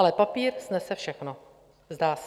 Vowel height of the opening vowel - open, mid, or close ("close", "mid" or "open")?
mid